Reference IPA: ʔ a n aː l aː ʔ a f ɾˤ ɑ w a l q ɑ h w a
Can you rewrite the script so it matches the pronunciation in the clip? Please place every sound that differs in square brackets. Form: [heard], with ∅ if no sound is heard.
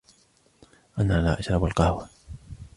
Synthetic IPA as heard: ʔ a n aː l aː ʔ a [ʃ] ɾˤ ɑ [b] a l q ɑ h w a